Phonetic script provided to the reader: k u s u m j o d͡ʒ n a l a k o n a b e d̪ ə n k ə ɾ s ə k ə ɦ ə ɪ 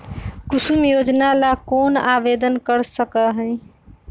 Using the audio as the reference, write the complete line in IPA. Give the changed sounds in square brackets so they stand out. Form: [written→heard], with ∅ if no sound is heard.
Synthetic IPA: k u s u m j o d͡ʒ n a l a k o n a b e d̪ ə n k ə ɾ s ə k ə ɦ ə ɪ